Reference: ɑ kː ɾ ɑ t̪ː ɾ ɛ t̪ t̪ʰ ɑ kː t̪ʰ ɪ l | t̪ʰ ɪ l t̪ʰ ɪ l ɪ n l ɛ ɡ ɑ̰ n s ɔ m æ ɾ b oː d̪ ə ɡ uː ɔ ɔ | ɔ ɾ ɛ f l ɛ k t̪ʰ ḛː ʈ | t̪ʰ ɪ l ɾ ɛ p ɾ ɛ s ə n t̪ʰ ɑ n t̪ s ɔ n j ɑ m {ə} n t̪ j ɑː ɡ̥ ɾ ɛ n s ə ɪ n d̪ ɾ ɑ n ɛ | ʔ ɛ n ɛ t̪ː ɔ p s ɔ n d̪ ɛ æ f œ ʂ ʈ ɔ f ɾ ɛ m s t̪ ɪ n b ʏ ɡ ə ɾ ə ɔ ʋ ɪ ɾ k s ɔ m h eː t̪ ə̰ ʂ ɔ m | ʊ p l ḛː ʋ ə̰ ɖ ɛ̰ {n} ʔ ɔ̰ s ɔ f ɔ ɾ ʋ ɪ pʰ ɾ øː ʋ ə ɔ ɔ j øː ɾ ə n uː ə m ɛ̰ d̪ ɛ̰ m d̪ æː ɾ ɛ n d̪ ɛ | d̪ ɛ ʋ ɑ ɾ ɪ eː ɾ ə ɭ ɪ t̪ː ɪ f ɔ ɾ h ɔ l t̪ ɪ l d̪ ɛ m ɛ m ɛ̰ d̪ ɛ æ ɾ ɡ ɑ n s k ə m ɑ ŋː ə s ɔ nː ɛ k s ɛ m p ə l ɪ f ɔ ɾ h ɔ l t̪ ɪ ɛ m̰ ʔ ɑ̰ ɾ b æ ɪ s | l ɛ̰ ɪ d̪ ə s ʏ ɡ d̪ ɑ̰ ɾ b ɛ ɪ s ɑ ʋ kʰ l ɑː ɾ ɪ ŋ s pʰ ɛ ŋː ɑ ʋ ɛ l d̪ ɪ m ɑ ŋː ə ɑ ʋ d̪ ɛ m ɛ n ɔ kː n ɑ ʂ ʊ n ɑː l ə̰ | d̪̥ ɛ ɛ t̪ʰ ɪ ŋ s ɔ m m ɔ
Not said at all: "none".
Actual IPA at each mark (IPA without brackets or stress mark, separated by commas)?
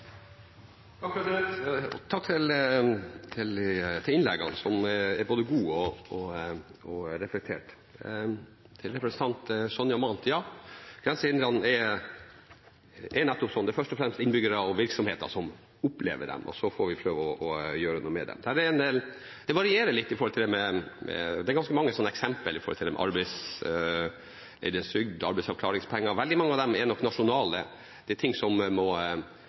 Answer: ɑ, m